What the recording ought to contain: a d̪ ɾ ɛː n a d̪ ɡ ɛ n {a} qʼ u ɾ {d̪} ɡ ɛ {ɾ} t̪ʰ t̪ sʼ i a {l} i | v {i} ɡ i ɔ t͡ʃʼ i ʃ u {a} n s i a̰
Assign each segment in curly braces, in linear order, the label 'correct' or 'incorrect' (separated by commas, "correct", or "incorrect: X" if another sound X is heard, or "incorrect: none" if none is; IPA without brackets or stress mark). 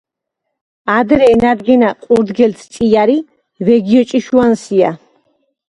correct, correct, incorrect: l, incorrect: ɾ, incorrect: ɛ, correct